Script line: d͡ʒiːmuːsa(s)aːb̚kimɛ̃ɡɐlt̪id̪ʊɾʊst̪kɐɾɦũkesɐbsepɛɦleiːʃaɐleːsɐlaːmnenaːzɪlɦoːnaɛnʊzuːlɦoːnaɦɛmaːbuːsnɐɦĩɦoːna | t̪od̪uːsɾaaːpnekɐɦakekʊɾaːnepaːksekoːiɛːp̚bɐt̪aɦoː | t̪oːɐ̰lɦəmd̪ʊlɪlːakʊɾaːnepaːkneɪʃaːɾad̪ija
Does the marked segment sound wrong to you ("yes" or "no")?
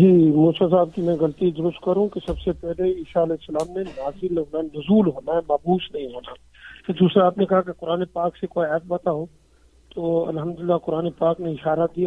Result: no